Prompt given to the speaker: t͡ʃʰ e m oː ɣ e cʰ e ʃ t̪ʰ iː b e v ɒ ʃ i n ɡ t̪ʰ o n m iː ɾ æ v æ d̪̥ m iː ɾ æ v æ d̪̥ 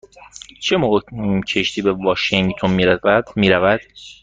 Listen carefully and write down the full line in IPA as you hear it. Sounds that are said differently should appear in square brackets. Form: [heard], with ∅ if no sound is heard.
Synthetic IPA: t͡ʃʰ e m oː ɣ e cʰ e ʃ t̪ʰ iː b e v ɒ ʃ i [ŋ] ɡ t̪ʰ o n m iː ɾ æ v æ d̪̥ m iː ɾ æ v æ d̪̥